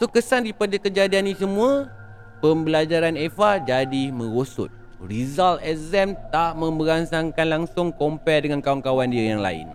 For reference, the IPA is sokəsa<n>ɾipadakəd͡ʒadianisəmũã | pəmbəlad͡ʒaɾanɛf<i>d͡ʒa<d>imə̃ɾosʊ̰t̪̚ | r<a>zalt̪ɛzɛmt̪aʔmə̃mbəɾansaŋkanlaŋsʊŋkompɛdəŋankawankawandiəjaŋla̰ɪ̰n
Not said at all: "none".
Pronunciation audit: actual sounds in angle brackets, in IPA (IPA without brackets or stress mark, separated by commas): n, a, d, i